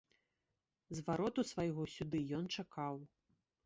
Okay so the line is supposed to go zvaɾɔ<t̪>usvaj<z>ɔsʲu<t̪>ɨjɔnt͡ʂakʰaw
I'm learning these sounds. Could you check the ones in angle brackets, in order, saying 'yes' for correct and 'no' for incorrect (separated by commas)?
yes, no, no